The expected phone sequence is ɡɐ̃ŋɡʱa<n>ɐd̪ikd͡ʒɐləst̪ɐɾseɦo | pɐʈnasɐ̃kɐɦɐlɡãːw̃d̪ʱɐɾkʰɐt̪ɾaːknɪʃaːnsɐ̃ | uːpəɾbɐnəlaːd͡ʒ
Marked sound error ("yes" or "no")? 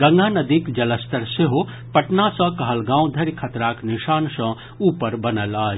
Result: no